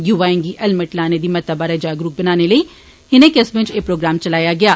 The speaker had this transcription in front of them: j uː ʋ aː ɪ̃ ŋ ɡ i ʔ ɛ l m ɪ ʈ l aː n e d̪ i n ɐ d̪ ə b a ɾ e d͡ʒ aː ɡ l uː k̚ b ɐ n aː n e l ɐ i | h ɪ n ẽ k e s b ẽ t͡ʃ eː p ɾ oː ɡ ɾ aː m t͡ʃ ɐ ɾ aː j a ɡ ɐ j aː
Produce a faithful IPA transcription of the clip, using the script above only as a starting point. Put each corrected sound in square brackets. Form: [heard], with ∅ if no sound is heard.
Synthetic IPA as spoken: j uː ʋ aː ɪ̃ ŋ ɡ i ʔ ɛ l m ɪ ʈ l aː n e d̪ i [m] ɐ [t̪] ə b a ɾ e d͡ʒ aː ɡ [ɾ] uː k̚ b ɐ n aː n e l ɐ i | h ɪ n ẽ k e s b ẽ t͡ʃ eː p ɾ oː ɡ ɾ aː m t͡ʃ ɐ [l] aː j a ɡ ɐ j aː